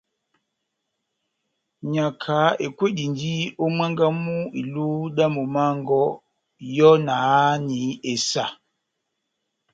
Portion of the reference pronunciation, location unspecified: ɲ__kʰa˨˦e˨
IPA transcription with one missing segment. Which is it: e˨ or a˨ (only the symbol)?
a˨